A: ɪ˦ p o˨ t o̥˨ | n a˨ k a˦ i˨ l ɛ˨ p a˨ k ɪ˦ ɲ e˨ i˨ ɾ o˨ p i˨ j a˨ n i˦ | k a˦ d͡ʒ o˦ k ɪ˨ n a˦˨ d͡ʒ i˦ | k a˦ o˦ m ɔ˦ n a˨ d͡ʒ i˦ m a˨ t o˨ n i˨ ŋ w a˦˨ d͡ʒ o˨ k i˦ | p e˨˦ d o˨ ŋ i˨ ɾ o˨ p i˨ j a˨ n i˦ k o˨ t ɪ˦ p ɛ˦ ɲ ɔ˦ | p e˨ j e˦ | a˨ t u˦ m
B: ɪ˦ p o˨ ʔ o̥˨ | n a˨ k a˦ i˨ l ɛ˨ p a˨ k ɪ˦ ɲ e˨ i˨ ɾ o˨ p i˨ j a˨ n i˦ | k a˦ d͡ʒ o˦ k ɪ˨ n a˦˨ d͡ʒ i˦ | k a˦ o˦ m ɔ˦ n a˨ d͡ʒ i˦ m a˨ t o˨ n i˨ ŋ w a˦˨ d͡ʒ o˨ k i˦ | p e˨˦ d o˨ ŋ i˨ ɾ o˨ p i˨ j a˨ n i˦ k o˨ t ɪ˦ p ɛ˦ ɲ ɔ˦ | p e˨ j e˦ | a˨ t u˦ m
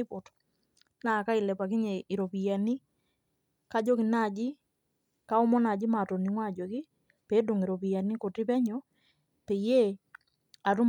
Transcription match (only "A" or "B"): A